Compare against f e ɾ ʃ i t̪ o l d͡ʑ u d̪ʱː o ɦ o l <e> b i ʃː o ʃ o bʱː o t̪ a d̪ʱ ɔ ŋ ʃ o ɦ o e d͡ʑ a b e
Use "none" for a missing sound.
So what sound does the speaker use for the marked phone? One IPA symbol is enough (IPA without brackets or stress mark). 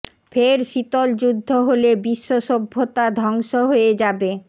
e